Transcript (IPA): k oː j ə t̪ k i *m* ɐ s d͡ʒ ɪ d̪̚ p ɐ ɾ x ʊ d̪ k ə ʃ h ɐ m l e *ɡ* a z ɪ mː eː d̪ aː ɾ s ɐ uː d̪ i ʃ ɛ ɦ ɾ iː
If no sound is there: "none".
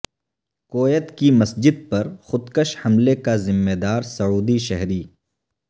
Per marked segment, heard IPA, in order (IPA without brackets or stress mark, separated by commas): m, k